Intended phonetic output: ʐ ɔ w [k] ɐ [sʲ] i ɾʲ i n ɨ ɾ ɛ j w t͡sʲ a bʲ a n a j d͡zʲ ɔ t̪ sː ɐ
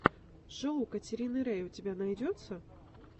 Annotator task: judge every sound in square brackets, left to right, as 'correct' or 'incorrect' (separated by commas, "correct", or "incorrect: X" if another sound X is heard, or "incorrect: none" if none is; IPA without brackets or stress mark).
correct, incorrect: t͡sʲ